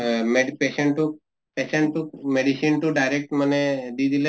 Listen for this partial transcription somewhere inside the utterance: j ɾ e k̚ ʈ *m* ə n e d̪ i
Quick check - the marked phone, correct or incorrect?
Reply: correct